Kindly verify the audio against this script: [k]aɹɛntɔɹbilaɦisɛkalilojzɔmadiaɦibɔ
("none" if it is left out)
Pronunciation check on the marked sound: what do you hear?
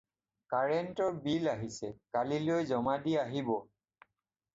k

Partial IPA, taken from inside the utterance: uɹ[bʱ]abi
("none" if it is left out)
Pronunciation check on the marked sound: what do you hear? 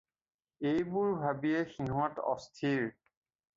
bʱ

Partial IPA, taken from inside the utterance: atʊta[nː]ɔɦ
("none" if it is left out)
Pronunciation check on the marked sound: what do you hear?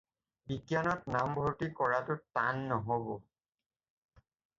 nː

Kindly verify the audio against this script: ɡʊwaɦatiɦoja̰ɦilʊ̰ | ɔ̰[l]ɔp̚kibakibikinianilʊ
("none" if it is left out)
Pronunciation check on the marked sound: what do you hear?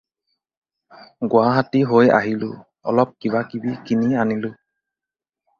l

